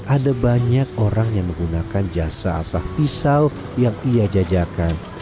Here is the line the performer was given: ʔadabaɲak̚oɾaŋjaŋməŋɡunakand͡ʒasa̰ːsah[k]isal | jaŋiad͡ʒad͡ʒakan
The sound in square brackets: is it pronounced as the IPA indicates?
no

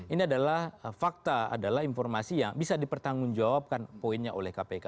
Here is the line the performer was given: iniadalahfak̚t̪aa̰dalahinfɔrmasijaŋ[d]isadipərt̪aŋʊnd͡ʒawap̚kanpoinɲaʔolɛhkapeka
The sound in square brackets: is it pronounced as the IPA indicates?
no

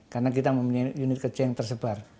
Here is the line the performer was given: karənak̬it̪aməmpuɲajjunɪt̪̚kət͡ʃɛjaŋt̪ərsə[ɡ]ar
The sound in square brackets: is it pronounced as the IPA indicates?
no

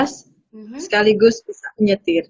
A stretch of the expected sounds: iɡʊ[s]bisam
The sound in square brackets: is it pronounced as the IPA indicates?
yes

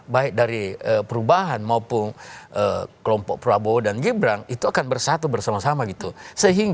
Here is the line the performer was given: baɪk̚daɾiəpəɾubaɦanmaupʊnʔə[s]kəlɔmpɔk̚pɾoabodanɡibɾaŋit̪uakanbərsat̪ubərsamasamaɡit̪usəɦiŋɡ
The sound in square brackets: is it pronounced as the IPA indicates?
no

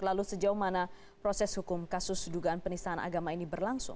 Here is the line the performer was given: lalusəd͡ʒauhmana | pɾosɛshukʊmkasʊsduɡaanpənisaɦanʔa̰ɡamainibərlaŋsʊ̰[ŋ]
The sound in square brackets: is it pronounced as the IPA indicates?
yes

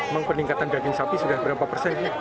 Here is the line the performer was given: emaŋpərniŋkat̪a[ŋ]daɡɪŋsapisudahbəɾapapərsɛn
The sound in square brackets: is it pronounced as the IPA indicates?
no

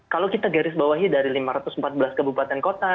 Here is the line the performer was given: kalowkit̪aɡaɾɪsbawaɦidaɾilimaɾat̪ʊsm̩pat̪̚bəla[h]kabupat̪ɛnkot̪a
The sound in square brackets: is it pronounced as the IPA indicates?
no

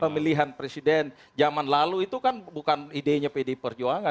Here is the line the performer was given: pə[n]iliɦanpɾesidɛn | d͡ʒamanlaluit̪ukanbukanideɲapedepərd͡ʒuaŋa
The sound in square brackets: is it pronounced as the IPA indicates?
no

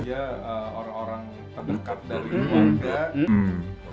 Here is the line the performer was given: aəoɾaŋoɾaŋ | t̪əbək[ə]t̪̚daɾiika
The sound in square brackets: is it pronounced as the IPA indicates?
no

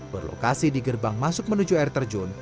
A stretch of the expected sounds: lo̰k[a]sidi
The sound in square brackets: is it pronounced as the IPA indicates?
yes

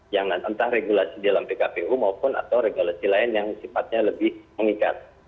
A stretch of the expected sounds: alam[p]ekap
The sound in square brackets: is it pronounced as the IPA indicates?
yes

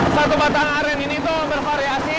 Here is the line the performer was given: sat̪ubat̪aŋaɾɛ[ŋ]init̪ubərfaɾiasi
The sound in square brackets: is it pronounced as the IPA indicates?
no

